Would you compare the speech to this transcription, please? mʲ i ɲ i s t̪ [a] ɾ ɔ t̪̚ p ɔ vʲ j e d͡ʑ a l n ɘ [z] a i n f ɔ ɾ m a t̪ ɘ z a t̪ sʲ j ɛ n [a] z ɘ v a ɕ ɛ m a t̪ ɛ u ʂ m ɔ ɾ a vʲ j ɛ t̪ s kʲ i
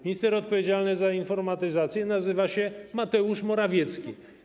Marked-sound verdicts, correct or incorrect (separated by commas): incorrect, correct, correct